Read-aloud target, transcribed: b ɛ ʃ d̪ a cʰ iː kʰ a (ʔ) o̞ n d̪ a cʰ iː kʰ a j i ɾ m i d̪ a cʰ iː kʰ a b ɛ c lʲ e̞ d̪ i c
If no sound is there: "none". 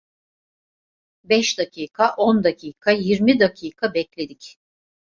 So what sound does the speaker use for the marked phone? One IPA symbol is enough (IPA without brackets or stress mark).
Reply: ʔ